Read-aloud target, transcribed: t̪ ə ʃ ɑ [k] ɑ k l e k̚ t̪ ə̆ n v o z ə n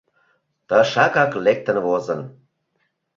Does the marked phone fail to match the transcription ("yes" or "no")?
no